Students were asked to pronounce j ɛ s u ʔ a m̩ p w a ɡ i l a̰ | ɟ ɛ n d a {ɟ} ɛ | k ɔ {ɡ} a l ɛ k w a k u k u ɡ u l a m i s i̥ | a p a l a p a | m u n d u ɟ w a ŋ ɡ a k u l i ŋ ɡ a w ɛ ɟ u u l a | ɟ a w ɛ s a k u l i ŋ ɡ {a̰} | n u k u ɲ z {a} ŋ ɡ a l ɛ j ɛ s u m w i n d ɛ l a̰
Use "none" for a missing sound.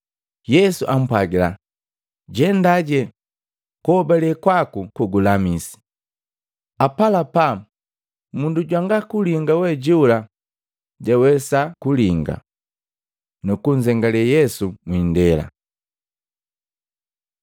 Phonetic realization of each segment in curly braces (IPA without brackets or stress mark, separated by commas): ɟ, b, a̰, ɛ